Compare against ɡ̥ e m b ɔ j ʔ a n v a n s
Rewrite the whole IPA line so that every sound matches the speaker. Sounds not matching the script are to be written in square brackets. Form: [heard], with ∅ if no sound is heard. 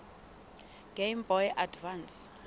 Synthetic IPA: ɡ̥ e m b ɔ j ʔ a [d] v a n s